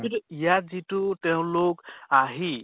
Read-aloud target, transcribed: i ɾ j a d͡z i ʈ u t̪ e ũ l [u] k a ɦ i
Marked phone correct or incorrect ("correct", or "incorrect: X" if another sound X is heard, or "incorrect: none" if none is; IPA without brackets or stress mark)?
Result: incorrect: o